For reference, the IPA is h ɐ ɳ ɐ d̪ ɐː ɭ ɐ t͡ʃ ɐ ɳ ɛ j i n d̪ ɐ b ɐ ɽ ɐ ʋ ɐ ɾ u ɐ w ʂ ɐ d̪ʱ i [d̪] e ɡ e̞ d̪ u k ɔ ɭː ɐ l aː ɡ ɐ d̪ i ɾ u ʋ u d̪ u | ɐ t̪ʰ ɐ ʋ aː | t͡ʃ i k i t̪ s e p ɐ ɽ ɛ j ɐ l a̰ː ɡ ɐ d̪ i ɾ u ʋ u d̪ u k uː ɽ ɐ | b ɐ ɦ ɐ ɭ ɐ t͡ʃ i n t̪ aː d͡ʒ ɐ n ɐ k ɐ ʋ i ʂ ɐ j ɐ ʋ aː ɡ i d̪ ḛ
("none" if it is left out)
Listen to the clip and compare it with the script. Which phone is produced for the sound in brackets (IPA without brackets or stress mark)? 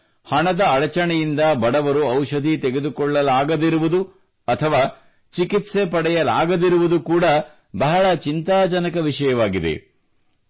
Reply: t̪